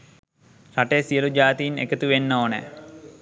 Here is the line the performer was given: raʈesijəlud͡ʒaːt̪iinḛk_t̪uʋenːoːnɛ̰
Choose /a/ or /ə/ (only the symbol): ə